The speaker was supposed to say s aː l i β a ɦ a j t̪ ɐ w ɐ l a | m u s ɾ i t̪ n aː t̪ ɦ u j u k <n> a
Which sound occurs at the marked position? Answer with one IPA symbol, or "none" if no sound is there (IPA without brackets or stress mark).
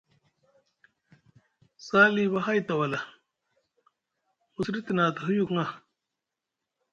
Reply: ŋ